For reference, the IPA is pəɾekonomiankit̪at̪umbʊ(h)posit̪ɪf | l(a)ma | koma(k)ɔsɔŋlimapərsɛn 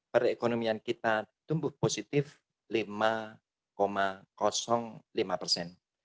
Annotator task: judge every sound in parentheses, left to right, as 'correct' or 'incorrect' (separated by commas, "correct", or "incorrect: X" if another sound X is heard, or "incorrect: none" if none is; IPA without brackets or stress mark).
correct, incorrect: i, correct